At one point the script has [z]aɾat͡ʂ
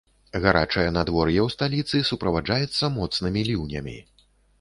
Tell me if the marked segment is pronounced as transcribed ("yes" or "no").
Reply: no